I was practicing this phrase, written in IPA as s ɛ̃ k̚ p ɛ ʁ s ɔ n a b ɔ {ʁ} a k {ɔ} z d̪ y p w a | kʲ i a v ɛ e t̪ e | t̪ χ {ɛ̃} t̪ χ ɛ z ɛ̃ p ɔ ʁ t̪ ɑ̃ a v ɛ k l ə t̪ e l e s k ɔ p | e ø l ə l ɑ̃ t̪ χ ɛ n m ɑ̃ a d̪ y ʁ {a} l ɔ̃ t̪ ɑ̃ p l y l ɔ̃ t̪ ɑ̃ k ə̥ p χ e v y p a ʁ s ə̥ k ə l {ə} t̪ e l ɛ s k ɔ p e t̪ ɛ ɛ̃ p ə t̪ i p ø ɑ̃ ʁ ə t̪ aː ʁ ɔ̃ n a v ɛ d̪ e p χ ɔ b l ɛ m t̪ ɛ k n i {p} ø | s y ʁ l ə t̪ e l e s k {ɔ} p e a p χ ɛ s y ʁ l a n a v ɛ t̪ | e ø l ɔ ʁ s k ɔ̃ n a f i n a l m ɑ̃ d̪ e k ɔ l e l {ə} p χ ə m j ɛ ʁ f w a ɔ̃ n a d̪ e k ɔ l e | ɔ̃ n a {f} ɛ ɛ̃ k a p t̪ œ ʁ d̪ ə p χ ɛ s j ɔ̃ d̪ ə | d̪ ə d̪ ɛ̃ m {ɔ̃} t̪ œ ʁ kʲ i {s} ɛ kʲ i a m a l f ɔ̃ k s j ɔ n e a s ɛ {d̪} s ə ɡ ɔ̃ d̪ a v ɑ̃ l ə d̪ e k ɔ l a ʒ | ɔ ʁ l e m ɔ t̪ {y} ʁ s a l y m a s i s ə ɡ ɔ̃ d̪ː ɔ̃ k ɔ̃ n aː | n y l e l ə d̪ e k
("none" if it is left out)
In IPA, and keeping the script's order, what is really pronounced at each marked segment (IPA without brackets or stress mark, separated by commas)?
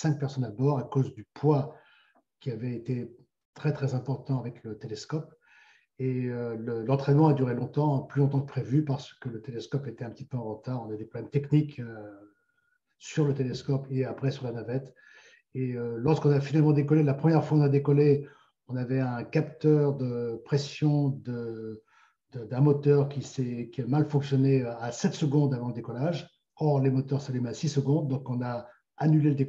ʁ, o, ɛ, e, ə, k, ɔ, a, v, ɔ, s, t̪, œ